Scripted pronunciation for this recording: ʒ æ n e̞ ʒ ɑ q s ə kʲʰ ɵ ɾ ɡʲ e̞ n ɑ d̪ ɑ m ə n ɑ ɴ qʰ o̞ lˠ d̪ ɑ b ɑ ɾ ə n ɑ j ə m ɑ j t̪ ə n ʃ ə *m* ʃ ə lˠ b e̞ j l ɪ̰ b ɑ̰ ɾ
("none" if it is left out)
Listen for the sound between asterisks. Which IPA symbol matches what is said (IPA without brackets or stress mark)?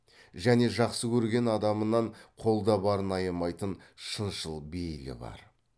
n